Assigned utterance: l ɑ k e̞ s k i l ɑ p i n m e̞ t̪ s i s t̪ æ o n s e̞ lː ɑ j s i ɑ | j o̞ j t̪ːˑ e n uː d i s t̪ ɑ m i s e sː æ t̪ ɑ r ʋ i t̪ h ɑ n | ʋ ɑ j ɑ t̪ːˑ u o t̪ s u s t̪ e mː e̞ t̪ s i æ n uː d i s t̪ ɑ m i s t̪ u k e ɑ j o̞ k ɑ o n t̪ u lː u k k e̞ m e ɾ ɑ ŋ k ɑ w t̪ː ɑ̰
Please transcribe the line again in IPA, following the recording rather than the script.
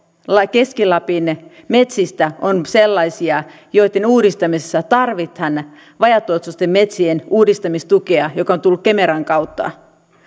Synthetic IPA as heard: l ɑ k e̞ s k i l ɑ p i n m e̞ t̪ s i s t̪ æ o n s e̞ lː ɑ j s i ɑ | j o̞ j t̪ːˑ e n uː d i s t̪ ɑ m i s e sː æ t̪ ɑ r ʋ i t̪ h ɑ n | ʋ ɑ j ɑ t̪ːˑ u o t̪ s u s t̪ e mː e̞ t̪ s i e n uː d i s t̪ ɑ m i s t̪ u k e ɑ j o̞ k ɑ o n t̪ u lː u k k e̞ m e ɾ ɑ ŋ k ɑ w t̪ː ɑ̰